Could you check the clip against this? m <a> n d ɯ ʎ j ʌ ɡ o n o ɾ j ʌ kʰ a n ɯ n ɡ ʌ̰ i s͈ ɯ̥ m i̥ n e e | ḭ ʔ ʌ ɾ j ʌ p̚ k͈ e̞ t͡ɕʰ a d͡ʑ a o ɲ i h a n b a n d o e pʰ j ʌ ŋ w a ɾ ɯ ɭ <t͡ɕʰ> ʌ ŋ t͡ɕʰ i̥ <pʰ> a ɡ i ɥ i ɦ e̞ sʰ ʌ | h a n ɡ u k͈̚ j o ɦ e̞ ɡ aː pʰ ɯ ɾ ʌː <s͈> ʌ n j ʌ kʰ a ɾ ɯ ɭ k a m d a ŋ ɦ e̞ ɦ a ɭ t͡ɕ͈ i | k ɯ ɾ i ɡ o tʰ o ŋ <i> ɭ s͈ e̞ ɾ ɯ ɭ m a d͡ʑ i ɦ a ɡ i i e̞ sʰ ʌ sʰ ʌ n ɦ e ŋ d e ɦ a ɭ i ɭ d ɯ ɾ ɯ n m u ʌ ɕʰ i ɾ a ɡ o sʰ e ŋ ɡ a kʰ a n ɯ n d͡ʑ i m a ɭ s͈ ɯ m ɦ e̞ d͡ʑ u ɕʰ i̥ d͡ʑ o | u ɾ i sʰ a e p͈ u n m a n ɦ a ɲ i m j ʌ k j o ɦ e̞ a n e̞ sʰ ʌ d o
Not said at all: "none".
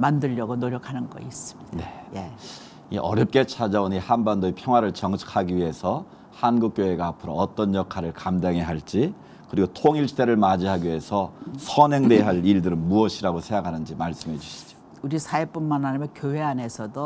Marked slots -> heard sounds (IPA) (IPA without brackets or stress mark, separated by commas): a, t͡ɕ, kʰ, t͈, i